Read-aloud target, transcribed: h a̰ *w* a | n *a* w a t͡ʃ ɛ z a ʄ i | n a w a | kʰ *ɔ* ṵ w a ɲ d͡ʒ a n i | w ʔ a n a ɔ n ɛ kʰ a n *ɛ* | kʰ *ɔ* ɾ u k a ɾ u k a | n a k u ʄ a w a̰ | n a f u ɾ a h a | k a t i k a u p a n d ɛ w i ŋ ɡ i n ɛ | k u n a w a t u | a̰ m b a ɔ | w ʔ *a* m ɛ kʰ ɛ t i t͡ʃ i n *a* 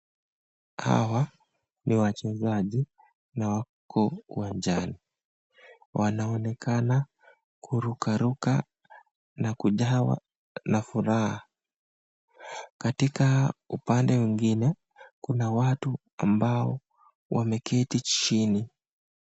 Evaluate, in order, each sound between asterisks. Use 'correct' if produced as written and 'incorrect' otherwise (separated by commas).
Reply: correct, incorrect, correct, incorrect, incorrect, correct, incorrect